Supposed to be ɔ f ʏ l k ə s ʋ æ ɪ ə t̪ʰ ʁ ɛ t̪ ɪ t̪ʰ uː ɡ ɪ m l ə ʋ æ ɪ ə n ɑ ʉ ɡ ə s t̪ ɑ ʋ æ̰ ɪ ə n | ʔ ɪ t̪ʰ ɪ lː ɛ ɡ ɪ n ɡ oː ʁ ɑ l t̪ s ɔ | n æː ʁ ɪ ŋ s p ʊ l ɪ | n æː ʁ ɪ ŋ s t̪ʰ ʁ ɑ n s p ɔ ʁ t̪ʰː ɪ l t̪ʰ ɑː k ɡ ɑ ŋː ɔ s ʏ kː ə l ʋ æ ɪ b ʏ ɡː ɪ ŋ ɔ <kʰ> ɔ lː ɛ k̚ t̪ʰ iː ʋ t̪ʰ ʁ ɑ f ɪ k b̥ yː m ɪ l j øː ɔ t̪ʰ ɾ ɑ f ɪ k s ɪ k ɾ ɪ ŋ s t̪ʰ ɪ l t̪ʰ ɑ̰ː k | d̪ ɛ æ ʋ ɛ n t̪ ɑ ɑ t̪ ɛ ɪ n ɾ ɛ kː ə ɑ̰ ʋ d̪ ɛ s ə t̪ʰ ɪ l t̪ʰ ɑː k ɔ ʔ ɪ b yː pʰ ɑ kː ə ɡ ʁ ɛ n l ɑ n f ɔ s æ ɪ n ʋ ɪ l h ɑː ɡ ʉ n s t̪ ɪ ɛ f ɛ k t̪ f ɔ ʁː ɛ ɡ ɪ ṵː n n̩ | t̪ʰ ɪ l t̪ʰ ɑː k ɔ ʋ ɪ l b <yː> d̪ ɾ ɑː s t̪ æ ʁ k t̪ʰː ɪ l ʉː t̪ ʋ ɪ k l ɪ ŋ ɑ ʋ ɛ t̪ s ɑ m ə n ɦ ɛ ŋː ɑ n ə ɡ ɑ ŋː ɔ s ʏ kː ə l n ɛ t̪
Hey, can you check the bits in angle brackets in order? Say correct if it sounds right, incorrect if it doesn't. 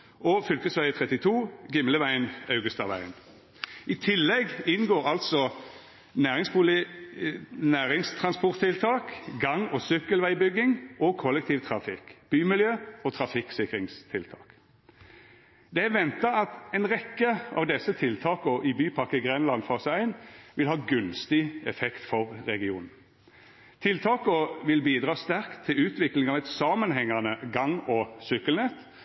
correct, incorrect: iː

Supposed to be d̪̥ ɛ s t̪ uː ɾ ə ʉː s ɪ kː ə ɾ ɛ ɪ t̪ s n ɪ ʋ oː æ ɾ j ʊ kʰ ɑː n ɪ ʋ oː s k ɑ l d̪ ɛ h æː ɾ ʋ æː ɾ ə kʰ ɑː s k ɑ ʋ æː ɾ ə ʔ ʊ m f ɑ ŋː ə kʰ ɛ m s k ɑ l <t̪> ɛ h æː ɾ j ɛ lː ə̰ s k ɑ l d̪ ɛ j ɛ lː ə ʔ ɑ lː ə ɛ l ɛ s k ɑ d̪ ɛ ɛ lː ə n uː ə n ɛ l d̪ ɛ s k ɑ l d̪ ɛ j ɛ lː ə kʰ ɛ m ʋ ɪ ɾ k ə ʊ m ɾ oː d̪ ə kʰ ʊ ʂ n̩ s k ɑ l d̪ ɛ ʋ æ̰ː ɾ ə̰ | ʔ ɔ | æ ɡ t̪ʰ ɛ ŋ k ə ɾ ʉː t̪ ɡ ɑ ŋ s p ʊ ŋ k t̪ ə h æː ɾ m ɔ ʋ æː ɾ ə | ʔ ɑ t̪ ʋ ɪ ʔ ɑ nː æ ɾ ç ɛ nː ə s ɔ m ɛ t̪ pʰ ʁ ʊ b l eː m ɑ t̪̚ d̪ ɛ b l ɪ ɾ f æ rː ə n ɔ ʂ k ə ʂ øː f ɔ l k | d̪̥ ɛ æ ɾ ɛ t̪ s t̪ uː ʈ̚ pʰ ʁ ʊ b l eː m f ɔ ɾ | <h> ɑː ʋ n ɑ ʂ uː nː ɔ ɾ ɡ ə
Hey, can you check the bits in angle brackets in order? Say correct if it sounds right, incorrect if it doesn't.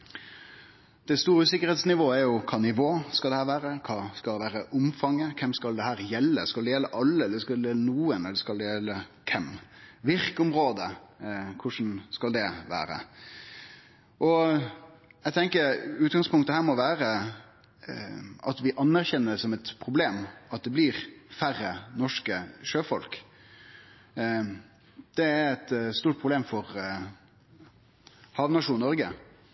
incorrect: d̪, correct

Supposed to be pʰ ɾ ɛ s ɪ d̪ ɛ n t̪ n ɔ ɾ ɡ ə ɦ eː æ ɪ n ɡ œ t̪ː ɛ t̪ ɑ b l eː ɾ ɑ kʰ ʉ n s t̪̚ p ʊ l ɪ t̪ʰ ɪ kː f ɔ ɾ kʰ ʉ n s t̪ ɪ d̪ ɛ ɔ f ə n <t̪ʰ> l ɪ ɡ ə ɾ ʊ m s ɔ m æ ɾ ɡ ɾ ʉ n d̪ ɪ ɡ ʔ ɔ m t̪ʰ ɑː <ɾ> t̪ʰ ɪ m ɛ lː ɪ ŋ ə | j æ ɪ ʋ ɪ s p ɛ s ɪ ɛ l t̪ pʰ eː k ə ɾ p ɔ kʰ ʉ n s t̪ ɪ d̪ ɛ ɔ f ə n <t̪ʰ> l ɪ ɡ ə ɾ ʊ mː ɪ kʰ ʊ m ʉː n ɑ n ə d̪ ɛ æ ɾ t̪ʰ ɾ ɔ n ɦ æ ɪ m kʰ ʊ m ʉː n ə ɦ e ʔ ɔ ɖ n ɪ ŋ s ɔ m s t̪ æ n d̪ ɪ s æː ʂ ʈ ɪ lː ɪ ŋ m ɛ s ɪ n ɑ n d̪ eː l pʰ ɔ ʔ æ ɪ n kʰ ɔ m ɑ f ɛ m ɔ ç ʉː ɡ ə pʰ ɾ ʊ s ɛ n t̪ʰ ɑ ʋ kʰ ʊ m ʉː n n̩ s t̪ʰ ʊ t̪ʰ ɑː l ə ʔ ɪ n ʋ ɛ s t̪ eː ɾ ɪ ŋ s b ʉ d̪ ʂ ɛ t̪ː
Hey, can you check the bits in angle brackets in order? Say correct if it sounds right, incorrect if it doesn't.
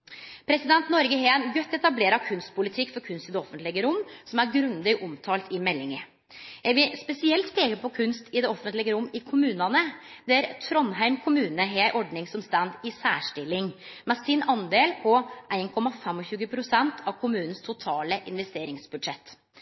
incorrect: t̪, incorrect: l, incorrect: t̪

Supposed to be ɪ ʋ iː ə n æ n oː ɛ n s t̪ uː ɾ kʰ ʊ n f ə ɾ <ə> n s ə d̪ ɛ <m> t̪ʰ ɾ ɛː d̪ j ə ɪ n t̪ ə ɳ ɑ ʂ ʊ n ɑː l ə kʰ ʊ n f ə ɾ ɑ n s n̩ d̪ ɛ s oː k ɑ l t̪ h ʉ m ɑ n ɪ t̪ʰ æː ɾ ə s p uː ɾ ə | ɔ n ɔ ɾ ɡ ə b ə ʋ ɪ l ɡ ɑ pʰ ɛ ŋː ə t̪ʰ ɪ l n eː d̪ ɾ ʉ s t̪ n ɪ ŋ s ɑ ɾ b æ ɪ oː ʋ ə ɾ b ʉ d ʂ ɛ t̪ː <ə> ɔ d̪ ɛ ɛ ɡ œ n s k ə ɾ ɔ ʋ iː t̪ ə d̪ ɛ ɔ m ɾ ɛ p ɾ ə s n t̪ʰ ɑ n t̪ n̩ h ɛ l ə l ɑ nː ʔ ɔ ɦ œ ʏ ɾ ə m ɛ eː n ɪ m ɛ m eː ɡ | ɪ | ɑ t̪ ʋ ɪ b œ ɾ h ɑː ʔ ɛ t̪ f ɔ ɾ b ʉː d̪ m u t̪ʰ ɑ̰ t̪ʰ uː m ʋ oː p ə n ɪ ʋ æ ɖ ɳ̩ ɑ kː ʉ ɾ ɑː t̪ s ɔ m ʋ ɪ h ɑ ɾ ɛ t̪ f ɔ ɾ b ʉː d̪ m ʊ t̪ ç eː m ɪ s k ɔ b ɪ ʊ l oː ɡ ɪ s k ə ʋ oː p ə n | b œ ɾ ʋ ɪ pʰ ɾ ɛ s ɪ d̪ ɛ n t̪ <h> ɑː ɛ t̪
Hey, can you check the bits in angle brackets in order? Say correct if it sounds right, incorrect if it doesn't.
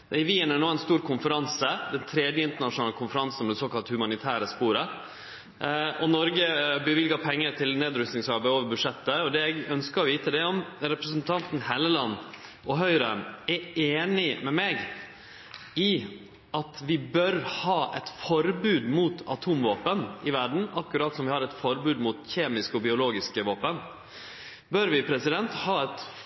incorrect: ɑ, incorrect: n, correct, correct

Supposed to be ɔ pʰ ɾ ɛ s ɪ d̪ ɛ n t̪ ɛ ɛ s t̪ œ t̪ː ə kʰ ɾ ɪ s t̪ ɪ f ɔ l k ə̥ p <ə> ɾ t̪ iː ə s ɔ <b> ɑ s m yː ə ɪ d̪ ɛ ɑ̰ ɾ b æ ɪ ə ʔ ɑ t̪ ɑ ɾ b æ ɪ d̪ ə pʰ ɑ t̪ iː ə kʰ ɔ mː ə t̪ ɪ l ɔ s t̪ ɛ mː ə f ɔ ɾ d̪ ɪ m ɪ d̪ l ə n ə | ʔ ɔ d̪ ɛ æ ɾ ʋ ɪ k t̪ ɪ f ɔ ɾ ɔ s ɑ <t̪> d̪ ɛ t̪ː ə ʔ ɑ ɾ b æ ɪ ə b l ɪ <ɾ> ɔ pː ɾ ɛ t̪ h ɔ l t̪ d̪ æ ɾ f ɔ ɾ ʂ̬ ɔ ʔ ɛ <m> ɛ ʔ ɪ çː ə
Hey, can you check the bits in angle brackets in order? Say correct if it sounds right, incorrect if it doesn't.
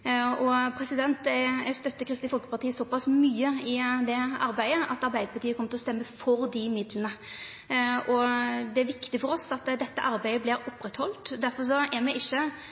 incorrect: ɑ, incorrect: p, correct, correct, correct

